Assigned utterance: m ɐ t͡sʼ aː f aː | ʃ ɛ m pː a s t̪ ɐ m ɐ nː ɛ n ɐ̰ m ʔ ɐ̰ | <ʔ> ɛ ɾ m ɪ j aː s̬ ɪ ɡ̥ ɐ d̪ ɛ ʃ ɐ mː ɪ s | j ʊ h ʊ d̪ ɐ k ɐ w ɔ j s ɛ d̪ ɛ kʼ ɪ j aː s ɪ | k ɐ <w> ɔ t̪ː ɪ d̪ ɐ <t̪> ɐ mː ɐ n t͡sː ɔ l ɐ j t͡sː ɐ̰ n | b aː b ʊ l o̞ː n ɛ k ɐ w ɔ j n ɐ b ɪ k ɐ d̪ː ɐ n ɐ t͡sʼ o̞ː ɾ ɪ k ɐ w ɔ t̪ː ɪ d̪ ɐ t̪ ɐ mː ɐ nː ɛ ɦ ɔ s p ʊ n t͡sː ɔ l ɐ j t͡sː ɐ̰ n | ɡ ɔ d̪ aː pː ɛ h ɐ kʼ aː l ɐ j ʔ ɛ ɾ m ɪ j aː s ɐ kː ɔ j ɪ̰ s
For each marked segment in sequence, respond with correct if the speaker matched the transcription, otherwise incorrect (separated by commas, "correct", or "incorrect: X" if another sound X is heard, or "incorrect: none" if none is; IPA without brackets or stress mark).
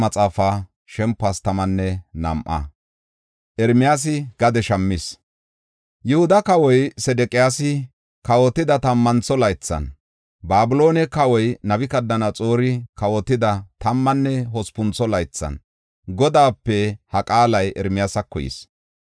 correct, correct, correct